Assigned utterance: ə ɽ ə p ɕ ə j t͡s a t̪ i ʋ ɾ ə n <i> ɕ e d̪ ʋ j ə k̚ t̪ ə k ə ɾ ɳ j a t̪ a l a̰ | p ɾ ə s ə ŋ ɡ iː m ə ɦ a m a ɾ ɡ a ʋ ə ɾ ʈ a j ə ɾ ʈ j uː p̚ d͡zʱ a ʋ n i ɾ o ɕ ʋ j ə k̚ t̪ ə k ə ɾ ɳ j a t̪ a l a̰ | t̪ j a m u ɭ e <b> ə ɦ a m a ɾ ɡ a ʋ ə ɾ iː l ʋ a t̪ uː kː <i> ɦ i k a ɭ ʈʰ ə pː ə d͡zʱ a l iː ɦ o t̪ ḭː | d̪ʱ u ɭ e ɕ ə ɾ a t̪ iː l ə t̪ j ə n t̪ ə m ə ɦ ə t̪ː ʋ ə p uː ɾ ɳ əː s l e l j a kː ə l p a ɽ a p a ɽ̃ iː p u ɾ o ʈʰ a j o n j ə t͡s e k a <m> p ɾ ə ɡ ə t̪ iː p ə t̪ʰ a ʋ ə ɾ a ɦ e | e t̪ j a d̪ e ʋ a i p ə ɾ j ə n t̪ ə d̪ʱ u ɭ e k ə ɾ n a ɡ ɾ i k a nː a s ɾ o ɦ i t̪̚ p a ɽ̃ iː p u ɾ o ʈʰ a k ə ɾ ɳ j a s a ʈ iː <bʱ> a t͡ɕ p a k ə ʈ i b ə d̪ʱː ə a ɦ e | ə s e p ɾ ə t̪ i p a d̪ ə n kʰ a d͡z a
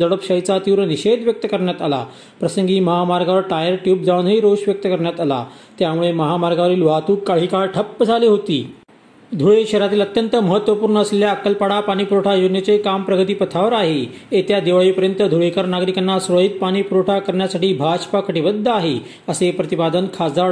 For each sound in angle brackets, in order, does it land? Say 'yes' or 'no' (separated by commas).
yes, no, no, yes, yes